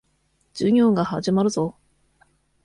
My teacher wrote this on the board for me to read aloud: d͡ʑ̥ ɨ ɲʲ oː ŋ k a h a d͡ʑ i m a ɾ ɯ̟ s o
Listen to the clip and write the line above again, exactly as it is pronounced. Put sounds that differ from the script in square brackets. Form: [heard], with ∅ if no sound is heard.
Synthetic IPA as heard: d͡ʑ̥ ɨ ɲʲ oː ŋ [ɡ] a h a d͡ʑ i m a ɾ ɯ̟ [z] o

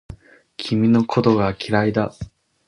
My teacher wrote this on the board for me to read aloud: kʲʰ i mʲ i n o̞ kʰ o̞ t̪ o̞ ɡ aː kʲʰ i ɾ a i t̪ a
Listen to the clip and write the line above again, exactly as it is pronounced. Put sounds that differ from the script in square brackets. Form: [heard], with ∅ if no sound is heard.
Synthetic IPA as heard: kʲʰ i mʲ i n o̞ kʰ o̞ t̪ o̞ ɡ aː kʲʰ i ɾ a i [d̪] a

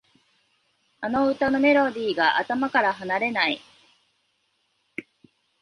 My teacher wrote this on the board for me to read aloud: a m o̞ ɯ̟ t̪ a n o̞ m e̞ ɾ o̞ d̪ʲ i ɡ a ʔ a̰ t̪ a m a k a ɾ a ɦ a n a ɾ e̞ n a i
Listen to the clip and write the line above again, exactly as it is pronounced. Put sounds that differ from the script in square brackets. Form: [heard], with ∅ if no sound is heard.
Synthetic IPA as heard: a [n] o̞ ɯ̟ t̪ a n o̞ m e̞ ɾ o̞ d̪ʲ [iː] ɡ a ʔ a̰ t̪ a m a k a ɾ a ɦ a n a ɾ e̞ n a i

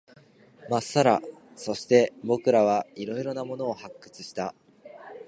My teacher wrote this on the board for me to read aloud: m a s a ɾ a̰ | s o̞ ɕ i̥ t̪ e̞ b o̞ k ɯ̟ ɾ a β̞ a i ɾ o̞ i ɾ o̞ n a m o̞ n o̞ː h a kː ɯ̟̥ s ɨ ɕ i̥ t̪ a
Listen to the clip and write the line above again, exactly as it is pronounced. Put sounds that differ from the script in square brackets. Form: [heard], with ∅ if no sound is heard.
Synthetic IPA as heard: m a s a ɾ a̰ | s o̞ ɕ i̥ t̪ e̞ b o̞ k ɯ̟ ɾ a β̞ a i ɾ o̞ i ɾ o̞ n a m o̞ n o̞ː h a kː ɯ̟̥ [t͡s] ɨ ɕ i̥ t̪ a

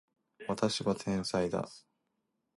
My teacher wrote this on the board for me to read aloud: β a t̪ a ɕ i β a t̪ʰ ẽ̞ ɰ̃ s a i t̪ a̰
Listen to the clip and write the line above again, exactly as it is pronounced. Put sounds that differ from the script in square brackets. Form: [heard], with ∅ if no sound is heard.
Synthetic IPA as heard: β a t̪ a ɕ i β a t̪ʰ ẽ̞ ɰ̃ s a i [d̪] a̰

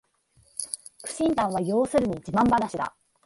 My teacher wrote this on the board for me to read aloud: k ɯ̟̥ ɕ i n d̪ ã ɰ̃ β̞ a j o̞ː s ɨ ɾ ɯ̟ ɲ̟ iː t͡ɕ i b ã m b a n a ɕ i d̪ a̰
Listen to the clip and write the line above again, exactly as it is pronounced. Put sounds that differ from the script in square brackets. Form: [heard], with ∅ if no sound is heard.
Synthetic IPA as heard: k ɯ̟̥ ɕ [ĩ] n [t̪] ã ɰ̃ β̞ a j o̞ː s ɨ ɾ ɯ̟ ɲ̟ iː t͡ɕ i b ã m b a n a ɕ i d̪ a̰

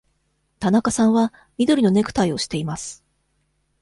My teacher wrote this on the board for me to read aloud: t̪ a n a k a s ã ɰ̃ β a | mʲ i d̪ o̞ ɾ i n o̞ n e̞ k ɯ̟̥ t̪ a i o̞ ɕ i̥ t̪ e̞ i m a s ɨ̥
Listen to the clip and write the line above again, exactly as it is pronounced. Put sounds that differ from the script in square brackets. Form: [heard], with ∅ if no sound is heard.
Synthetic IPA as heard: t̪ a n a k a s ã ɰ̃ β a | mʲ i d̪ o̞ ɾ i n o̞ n e̞ k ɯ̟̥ t̪ a i o̞ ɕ i̥ t̪ e̞ i m a s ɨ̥

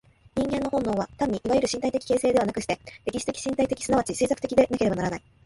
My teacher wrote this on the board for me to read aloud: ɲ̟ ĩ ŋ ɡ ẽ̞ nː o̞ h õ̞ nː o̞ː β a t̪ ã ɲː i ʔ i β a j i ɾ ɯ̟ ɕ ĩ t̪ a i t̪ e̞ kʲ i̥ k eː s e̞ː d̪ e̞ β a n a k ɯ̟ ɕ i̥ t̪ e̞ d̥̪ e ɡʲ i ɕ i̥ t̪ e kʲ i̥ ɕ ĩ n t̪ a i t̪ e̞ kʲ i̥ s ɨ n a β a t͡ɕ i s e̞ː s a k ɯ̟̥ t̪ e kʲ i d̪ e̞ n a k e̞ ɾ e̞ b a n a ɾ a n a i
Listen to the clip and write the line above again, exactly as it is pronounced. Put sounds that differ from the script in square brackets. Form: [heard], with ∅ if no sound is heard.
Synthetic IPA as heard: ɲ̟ ĩ ŋ ɡ ẽ̞ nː o̞ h õ̞ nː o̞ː β a t̪ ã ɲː i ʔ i β a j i ɾ ɯ̟ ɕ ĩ t̪ a i t̪ e̞ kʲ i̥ k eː s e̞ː d̪ e̞ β a n a k ɯ̟ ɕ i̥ t̪ e̞ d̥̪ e [kʲ] i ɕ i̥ t̪ e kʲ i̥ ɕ ĩ n t̪ a i t̪ e̞ kʲ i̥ s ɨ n a β a t͡ɕ i s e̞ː s a k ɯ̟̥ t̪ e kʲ i d̪ e̞ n a k e̞ ɾ e̞ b a n a ɾ a n a i

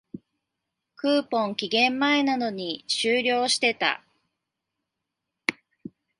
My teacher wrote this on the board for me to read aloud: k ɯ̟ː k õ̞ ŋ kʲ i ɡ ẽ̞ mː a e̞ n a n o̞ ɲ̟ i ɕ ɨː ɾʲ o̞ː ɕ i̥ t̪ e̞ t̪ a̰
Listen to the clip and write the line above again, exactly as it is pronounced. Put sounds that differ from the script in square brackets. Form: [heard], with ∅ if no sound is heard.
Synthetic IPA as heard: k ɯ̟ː [p] õ̞ ŋ kʲ i ɡ ẽ̞ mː a e̞ n a n o̞ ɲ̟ i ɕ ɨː ɾʲ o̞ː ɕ i̥ t̪ e̞ t̪ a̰

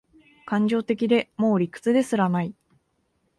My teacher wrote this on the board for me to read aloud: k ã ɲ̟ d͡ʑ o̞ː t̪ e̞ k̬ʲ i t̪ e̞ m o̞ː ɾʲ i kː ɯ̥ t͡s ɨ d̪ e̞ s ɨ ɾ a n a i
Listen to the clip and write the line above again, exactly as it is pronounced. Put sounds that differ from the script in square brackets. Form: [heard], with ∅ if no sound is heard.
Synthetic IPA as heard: k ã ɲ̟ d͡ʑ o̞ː t̪ e̞ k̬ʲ i [d̪] e̞ m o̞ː ɾʲ i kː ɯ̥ t͡s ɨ d̪ e̞ s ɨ ɾ a n a i

